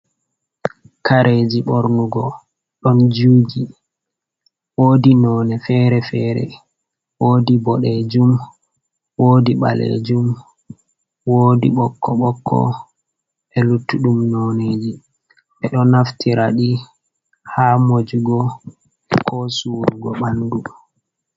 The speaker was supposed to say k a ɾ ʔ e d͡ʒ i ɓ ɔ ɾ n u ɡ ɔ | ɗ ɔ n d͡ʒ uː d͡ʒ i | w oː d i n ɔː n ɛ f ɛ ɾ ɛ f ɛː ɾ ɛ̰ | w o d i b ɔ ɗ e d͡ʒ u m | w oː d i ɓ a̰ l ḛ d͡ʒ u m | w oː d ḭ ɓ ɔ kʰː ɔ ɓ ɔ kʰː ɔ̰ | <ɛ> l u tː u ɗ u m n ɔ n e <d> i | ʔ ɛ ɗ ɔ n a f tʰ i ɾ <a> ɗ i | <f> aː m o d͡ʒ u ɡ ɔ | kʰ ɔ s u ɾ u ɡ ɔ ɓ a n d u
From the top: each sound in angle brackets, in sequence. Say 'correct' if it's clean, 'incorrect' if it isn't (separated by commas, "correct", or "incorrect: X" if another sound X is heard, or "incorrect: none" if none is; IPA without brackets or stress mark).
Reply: correct, incorrect: d͡ʒ, correct, incorrect: h